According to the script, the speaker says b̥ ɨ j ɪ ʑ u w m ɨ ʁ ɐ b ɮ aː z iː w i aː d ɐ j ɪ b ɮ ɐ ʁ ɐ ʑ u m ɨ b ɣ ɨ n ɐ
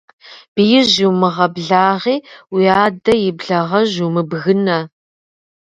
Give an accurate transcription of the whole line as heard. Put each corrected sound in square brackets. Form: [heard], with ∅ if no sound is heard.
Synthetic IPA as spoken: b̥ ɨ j ɪ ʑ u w m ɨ ʁ ɐ b ɮ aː [ʁ] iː w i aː d ɐ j ɪ b ɮ ɐ ʁ ɐ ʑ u m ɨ b ɣ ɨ n ɐ